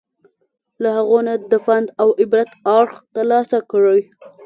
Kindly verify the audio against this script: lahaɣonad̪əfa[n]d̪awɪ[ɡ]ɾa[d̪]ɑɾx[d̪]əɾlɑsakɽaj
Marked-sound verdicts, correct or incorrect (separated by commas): correct, incorrect, incorrect, incorrect